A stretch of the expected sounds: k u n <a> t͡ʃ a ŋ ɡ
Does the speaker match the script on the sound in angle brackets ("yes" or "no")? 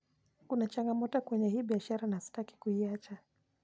yes